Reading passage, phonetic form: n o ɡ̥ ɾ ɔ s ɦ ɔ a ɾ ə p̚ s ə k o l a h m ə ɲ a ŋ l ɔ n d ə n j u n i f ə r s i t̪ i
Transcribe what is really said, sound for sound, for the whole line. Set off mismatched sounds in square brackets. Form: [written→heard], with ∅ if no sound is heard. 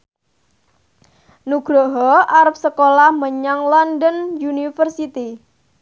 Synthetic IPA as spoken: n [o→u] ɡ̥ ɾ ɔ [s→∅] ɦ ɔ a ɾ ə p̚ s ə k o l a h m ə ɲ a ŋ l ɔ n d ə n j u n i f ə r s i t̪ i